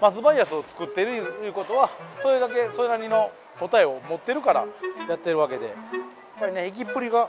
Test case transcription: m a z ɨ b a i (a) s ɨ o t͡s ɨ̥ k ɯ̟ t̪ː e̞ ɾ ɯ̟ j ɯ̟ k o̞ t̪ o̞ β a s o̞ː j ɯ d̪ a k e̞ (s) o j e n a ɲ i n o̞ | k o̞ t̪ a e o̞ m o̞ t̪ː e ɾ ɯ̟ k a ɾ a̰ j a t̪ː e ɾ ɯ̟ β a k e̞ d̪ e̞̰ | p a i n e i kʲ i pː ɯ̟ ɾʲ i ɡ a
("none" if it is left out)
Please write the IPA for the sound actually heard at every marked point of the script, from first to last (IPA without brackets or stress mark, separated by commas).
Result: a, s